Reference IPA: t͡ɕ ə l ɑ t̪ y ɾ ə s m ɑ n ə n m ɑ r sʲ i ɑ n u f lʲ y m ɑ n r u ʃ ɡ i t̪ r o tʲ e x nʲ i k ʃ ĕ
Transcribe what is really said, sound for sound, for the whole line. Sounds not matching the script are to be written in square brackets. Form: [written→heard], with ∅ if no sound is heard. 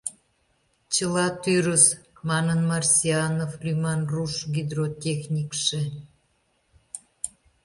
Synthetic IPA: t͡ɕ ə l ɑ t̪ y ɾ ə s m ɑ n ə n m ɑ r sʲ i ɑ n [u→o] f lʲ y m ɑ n r u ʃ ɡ i [t̪→d̪] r o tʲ e x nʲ i k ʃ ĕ